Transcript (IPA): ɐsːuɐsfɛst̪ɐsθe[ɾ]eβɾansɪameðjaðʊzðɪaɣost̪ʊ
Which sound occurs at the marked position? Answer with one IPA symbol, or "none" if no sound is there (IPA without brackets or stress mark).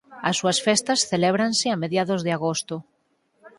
l